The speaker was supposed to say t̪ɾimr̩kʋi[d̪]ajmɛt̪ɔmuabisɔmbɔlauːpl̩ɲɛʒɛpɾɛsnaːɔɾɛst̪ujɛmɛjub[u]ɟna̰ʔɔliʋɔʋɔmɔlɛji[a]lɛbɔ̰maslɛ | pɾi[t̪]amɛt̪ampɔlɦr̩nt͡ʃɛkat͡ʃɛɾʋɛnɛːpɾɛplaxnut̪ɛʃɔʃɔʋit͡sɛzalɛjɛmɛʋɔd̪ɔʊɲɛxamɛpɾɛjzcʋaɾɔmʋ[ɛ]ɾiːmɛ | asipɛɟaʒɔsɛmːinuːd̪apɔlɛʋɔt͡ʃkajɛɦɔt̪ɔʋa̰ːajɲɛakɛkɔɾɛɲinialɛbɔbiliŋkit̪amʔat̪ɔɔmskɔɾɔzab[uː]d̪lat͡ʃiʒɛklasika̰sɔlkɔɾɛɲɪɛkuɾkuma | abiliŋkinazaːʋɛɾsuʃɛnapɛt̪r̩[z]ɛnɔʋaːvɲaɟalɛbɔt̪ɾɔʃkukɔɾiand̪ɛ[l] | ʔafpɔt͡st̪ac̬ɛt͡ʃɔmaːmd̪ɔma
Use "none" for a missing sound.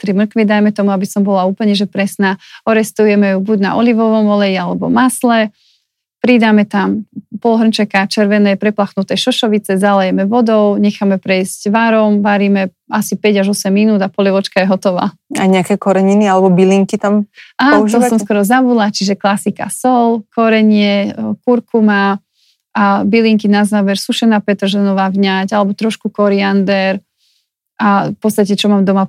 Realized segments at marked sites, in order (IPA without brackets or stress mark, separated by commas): d̪, u, a, d̪, a, u, ʒ, ɾ